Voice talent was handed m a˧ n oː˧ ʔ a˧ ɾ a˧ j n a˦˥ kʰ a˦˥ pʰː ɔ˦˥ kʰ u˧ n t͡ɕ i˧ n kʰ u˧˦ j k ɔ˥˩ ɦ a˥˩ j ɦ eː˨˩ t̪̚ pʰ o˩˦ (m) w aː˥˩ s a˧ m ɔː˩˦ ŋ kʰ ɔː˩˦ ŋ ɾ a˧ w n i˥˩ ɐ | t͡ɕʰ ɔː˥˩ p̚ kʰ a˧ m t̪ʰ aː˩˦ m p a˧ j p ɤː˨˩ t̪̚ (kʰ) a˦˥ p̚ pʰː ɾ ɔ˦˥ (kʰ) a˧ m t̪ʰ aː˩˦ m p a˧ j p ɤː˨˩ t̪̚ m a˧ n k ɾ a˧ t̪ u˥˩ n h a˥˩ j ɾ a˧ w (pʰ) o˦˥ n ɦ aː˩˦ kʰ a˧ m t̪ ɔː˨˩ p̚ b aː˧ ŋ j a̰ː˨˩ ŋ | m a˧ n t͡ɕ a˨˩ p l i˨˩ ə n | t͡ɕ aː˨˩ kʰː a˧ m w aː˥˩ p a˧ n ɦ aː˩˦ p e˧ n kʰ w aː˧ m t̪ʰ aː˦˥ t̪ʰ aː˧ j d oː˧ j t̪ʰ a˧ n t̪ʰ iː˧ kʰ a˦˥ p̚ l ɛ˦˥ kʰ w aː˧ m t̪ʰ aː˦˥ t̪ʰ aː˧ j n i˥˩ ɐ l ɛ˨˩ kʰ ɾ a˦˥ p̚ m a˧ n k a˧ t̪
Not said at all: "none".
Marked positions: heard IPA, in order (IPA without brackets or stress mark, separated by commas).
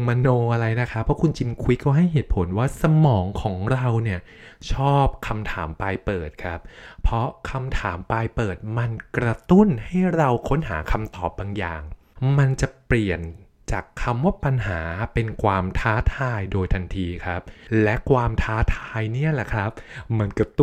n, kʰ, kʰ, kʰ